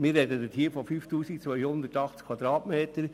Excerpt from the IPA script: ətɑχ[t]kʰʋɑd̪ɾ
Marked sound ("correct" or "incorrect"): incorrect